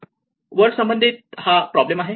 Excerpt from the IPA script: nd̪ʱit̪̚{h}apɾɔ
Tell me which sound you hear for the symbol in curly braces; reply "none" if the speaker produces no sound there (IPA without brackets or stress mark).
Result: h